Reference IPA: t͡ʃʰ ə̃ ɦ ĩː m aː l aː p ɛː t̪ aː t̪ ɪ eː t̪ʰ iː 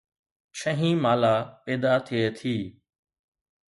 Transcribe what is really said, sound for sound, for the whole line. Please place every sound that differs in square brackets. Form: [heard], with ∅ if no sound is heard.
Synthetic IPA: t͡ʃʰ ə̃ ɦ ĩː m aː l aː p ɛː [d̪] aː [t̪ʰ] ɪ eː t̪ʰ iː